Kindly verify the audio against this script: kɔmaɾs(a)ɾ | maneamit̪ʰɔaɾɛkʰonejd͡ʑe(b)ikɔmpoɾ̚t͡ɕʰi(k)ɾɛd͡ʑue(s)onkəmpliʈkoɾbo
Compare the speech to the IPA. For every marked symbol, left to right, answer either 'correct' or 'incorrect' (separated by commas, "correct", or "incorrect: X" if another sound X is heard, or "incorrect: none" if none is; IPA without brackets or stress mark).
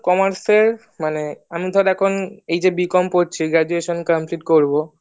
incorrect: e, correct, incorrect: ɡ, incorrect: ʃ